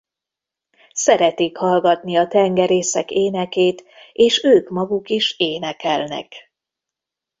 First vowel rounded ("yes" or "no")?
no